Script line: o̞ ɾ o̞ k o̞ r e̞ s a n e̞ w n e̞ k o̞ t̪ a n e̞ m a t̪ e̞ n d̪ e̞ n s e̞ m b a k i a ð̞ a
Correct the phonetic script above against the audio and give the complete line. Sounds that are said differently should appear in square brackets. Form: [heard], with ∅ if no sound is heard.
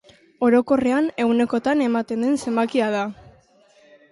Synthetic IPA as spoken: o̞ ɾ o̞ k o̞ r e̞ [∅] a n e̞ w n e̞ k o̞ t̪ a n e̞ m a t̪ e̞ n d̪ e̞ n s e̞ m b a k i a ð̞ a